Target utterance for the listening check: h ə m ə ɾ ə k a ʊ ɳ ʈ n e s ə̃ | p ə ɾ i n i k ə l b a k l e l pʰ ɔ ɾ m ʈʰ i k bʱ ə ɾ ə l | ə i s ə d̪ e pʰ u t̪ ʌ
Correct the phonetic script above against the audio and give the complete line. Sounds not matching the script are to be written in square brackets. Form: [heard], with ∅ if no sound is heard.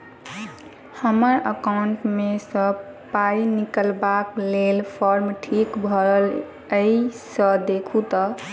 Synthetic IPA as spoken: h ə m ə ɾ ə k a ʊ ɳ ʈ [m] e s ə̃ | p [a] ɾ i n i k ə l b a k l e l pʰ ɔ ɾ m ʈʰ i k bʱ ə ɾ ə l | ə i s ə d̪ e [kʰ] u t̪ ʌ